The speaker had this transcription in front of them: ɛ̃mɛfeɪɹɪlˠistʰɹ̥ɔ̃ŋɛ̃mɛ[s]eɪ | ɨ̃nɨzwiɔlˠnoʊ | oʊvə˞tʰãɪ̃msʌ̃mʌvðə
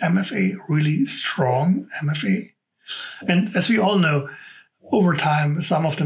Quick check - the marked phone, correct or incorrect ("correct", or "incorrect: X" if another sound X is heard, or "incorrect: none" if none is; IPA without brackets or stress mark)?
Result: incorrect: f